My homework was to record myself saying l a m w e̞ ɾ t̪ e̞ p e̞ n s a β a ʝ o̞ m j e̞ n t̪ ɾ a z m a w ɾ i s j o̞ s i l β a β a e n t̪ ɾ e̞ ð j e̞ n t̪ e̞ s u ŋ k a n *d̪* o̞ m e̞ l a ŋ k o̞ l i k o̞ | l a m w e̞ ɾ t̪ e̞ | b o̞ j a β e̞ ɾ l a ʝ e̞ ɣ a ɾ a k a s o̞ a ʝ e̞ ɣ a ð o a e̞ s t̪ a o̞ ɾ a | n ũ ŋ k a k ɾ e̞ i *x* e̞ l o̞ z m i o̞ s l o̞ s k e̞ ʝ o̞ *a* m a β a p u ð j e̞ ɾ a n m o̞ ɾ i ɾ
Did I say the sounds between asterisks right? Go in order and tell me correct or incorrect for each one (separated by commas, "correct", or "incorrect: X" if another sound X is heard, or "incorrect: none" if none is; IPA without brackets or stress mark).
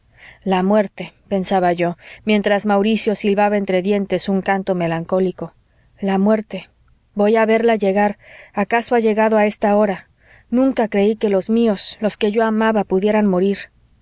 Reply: incorrect: t̪, incorrect: k, correct